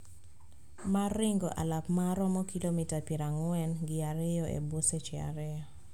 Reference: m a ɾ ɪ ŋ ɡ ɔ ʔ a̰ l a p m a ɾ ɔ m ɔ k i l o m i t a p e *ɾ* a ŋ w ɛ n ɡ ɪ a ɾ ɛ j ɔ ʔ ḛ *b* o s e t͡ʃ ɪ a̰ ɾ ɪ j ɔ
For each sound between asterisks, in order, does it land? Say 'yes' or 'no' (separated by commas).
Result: yes, yes